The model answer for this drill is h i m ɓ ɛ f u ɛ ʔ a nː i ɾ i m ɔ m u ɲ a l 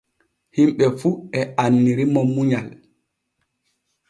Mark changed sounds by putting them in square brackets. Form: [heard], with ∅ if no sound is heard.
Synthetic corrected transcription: h i m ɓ ɛ f u ɛ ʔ a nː i ɾ i m ɔ m u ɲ a l